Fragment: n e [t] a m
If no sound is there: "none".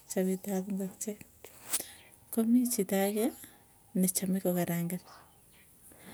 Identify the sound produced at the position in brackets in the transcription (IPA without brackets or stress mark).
t͡ʃ